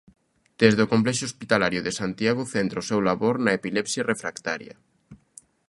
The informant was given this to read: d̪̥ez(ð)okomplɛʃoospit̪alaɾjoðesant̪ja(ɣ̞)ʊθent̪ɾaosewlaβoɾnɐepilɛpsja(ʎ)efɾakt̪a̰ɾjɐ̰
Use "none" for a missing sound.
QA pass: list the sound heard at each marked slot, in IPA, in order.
ð, ɣ̞, r

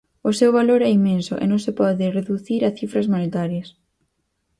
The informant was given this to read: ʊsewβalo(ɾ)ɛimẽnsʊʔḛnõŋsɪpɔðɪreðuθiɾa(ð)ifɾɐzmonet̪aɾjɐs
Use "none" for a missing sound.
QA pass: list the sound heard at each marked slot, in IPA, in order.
ɾ, θ

